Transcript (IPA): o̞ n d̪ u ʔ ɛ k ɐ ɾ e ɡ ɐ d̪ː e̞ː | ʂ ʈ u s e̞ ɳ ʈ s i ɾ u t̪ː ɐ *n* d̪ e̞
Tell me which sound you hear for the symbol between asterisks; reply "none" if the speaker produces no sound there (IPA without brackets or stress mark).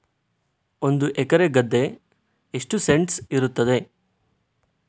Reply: none